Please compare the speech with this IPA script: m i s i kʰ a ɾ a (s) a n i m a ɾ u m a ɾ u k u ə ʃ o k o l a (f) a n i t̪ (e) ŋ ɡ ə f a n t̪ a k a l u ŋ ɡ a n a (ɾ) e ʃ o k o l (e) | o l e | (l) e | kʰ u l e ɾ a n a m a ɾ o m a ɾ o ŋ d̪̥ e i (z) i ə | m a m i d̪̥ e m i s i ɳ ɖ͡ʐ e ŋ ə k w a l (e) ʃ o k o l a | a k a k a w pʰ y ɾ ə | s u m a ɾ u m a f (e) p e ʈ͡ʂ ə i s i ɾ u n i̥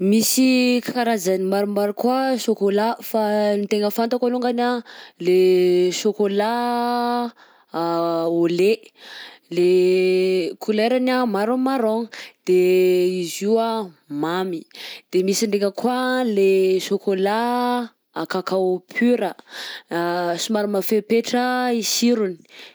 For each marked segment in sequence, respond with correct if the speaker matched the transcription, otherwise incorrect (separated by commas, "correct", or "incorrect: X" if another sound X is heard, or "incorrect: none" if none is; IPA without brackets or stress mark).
incorrect: z, correct, correct, incorrect: l, incorrect: a, correct, correct, correct, correct